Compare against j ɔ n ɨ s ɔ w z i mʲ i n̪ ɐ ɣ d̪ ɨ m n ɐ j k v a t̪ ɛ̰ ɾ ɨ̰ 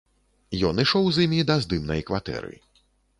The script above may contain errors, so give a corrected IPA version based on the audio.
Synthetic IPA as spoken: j ɔ n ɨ ʂ ɔ w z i mʲ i d̪ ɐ z d̪ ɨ m n ɐ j k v a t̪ ɛ̰ ɾ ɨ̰